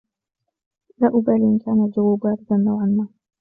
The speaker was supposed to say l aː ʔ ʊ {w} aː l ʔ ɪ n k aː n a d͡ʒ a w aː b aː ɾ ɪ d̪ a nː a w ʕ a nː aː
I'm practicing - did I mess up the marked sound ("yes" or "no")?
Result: yes